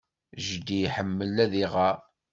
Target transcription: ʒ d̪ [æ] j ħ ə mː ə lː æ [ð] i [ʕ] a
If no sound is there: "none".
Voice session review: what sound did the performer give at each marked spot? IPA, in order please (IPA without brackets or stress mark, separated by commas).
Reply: i, ð, ʁ